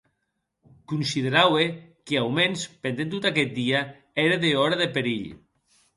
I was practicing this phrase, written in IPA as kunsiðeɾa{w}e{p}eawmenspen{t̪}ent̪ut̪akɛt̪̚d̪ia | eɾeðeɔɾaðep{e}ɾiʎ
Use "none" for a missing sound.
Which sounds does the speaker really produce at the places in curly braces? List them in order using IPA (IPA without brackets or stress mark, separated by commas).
w, k, d̪, e